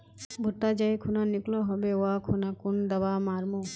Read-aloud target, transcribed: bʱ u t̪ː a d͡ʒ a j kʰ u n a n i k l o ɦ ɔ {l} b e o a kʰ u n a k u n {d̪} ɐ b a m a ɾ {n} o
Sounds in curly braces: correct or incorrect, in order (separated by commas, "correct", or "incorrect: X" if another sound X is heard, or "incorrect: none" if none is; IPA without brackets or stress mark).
incorrect: none, correct, incorrect: m